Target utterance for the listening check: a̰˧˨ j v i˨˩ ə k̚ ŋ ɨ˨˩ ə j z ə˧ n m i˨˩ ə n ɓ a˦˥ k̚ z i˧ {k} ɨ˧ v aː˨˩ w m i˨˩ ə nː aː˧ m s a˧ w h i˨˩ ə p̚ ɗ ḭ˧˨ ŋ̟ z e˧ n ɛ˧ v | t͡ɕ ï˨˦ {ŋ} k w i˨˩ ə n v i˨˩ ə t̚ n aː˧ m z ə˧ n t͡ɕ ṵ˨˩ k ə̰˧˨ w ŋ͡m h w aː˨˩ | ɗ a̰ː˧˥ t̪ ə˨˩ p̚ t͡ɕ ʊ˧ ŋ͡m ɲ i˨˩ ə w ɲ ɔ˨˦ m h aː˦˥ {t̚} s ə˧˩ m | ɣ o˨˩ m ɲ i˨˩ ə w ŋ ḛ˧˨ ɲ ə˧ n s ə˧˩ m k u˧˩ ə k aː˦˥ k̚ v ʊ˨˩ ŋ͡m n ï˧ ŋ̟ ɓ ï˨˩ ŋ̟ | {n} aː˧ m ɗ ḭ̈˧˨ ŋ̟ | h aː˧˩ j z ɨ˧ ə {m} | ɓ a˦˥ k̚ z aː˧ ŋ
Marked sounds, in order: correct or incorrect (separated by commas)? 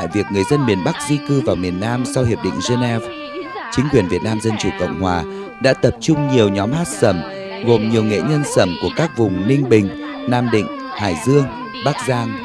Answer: correct, correct, correct, correct, incorrect